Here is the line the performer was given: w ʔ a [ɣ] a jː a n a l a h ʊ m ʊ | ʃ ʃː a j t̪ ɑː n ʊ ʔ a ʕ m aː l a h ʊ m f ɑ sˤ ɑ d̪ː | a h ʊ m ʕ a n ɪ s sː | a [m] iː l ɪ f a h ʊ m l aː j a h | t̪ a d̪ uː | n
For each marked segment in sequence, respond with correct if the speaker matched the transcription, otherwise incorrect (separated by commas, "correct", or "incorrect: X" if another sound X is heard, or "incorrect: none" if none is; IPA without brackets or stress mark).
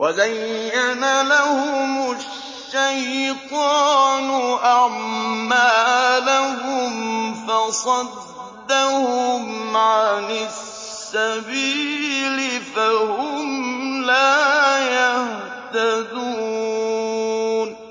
incorrect: z, incorrect: b